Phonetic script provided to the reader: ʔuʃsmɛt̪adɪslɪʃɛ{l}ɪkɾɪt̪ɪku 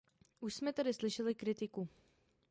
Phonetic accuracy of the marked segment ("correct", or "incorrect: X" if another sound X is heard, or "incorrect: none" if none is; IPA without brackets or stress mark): correct